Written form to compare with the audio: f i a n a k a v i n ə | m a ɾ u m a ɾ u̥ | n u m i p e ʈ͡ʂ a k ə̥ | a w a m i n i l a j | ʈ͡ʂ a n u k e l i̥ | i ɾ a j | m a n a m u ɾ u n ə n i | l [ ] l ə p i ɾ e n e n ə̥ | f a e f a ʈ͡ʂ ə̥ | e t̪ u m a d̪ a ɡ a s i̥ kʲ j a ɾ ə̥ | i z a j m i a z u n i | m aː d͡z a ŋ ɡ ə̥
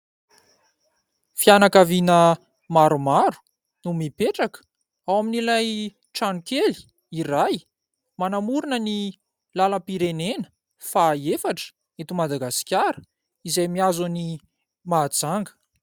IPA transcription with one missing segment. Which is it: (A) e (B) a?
B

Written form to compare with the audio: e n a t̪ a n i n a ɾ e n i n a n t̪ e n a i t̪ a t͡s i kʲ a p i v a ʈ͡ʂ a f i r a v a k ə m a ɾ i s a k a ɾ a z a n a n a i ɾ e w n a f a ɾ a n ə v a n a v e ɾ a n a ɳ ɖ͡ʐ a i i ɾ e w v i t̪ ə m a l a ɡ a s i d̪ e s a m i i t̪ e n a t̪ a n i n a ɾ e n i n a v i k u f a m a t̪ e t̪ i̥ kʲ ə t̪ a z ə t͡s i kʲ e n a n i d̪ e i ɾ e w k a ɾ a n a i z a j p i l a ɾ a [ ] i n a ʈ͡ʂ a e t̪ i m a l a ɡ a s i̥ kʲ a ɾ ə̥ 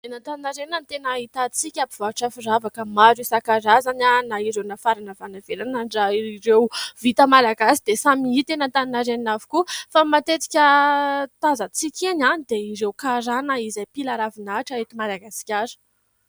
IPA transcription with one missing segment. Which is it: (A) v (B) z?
A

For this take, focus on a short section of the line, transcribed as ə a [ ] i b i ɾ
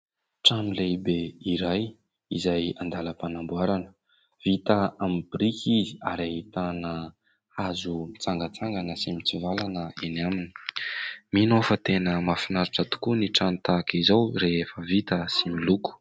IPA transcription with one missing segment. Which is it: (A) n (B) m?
B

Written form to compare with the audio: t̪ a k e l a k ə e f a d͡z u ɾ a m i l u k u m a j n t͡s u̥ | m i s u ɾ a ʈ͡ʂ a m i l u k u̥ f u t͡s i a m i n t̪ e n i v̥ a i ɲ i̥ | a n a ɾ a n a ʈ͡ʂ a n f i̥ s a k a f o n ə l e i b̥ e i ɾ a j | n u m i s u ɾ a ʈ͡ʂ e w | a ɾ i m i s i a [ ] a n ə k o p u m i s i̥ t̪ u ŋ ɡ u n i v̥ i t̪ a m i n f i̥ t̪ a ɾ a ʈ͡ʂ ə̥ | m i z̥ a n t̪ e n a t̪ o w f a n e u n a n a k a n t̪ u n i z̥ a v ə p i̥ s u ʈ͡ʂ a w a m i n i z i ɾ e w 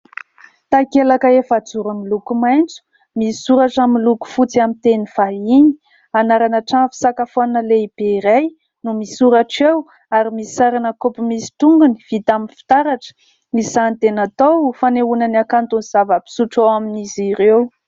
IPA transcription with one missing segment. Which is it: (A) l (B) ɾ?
B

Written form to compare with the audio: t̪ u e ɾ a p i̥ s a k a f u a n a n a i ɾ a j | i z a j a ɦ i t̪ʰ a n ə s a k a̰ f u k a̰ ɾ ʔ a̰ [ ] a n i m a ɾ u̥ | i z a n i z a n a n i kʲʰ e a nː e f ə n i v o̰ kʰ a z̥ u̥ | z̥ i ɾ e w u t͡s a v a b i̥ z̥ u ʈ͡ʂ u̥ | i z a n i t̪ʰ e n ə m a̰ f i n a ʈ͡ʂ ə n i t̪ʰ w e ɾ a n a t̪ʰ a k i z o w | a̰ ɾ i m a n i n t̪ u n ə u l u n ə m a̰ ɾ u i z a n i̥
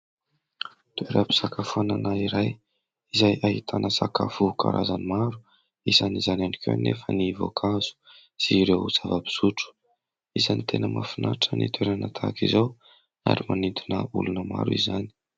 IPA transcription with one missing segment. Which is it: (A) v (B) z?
B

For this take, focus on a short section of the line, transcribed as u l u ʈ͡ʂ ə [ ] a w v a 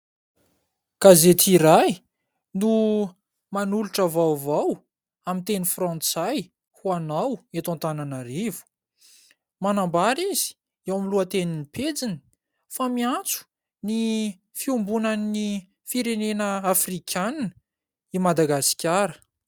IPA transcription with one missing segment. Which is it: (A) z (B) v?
B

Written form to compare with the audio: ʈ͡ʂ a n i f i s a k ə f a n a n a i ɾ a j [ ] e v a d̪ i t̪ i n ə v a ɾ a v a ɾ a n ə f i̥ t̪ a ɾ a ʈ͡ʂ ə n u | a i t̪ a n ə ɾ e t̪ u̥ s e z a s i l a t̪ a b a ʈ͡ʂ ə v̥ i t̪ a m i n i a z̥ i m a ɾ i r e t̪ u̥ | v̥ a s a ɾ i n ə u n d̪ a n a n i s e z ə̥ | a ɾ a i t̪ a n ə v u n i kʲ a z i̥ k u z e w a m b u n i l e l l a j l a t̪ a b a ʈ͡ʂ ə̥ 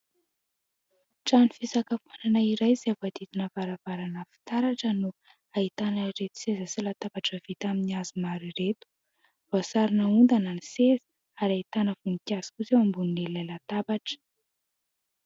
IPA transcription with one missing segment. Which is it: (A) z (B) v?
A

